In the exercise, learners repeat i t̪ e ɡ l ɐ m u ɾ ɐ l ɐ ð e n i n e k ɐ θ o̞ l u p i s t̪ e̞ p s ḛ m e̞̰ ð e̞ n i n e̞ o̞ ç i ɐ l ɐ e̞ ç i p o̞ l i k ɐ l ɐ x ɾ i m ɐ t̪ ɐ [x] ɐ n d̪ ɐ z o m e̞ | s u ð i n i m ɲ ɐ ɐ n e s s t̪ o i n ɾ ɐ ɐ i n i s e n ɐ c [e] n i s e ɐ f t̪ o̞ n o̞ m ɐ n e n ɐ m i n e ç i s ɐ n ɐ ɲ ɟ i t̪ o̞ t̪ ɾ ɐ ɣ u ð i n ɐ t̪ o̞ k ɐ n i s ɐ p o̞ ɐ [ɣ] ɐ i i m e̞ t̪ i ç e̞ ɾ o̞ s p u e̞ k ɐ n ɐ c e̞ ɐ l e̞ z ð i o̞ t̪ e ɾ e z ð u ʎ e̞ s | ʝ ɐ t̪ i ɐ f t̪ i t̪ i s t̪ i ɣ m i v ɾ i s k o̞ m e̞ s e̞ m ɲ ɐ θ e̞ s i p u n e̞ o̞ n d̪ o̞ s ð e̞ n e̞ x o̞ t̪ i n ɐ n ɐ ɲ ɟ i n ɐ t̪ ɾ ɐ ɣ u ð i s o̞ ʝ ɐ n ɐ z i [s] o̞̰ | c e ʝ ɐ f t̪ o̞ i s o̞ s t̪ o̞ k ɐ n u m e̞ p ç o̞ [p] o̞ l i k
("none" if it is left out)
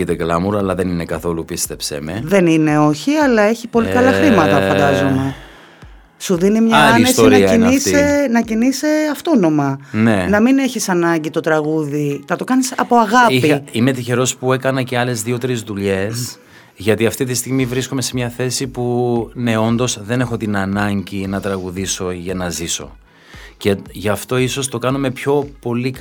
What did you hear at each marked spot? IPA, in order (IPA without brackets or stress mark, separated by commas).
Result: f, i, ɣ, s, p